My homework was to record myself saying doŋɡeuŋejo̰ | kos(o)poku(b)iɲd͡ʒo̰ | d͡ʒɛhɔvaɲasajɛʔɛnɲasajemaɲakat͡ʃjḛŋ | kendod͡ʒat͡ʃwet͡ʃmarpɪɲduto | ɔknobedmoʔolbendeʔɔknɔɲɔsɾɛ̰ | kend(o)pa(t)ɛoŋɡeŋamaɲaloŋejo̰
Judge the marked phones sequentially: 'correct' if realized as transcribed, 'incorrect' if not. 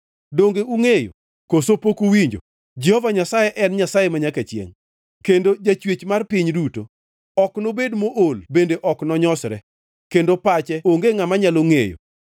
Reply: correct, incorrect, correct, incorrect

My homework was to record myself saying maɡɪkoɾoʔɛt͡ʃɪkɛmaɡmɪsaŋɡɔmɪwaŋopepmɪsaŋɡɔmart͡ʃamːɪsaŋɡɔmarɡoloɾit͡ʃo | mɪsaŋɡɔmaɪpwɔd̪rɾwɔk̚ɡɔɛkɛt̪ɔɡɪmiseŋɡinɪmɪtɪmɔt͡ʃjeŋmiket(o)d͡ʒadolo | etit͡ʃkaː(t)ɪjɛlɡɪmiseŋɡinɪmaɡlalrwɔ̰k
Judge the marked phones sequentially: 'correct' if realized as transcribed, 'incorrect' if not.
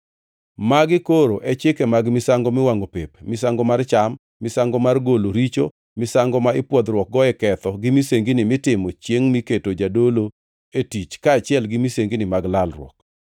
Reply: correct, incorrect

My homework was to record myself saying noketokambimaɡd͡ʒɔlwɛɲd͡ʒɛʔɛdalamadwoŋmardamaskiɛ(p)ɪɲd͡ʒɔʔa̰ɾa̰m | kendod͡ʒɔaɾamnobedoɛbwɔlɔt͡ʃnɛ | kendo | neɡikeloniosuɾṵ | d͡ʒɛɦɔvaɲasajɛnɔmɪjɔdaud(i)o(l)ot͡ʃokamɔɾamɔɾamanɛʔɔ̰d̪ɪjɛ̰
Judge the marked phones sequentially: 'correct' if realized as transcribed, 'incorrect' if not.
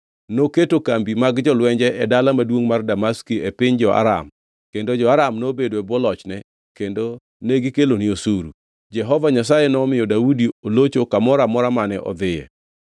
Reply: correct, correct, correct

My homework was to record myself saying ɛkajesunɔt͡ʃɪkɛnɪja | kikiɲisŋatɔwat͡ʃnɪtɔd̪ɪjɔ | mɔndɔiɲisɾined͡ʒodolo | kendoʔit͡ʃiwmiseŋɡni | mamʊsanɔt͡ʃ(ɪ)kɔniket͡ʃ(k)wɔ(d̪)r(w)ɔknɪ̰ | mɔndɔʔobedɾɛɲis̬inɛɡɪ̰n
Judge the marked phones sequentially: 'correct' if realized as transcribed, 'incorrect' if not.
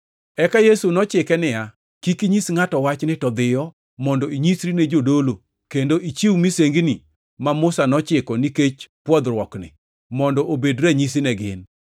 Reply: correct, incorrect, correct, correct

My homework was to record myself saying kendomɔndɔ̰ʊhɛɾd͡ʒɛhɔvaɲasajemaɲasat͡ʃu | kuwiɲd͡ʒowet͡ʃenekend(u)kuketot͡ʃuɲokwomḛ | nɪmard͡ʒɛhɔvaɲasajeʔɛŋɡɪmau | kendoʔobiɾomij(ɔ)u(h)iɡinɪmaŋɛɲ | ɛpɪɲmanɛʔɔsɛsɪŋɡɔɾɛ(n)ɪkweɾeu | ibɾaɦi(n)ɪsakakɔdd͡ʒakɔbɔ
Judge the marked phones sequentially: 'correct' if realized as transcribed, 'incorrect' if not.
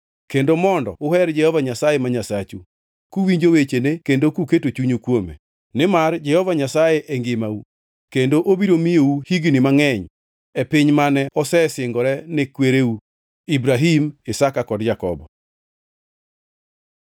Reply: incorrect, incorrect, correct, correct, incorrect

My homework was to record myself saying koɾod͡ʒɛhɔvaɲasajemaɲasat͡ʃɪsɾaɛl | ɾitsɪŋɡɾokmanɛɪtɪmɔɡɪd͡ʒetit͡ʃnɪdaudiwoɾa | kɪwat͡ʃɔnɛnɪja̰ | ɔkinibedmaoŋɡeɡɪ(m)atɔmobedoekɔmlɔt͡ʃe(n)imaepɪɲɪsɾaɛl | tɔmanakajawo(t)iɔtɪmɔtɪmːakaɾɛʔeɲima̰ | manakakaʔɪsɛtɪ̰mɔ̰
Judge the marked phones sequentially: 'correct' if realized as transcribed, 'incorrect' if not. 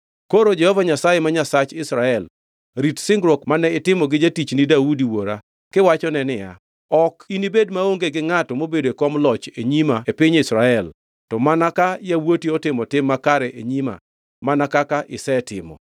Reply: incorrect, incorrect, correct

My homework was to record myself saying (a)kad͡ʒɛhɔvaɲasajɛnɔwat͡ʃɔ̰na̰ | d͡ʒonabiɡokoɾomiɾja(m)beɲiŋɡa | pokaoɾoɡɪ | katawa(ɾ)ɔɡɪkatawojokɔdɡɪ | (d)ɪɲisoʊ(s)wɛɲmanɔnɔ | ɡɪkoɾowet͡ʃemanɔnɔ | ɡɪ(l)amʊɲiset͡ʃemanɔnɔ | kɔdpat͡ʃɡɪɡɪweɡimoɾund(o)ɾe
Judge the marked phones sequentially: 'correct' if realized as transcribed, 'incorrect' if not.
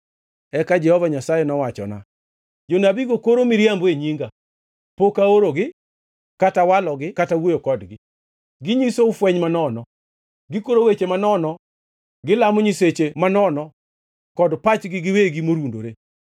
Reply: incorrect, correct, incorrect, incorrect, incorrect, correct, correct

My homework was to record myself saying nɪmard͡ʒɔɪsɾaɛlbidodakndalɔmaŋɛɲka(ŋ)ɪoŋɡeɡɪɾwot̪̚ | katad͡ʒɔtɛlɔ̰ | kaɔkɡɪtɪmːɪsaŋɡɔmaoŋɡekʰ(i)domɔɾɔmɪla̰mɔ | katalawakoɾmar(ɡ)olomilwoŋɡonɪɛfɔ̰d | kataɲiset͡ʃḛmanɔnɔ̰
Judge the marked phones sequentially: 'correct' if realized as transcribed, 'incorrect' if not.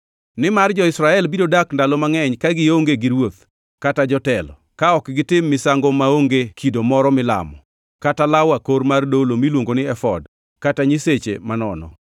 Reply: incorrect, correct, incorrect

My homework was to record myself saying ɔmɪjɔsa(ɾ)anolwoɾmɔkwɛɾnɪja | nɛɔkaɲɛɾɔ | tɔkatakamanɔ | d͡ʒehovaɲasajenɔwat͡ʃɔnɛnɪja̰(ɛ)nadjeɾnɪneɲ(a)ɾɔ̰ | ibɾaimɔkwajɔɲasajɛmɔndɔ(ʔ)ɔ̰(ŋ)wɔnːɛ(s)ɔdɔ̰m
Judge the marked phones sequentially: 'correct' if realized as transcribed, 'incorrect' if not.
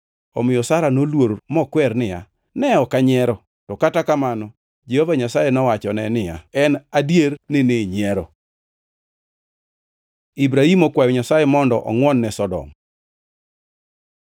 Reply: correct, correct, incorrect, correct, correct, correct

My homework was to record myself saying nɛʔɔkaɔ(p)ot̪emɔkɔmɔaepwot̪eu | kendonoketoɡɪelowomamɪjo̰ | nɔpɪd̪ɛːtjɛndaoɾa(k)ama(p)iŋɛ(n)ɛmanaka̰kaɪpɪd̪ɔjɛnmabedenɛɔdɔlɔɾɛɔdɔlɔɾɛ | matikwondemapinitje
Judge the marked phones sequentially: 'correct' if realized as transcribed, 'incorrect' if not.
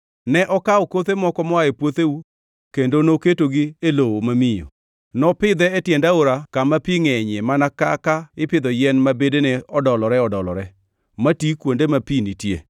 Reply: incorrect, correct, correct, incorrect

